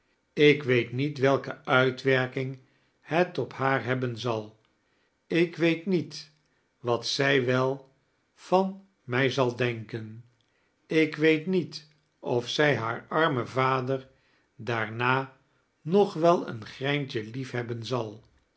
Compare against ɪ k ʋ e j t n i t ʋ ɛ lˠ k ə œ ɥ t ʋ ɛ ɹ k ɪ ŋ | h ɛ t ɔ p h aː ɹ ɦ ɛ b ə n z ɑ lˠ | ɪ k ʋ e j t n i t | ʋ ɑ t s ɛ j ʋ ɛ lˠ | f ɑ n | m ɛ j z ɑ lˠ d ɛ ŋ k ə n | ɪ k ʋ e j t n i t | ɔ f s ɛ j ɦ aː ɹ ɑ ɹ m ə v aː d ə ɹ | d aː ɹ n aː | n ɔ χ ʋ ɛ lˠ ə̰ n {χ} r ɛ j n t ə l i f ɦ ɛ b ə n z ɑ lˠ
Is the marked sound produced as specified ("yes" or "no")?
yes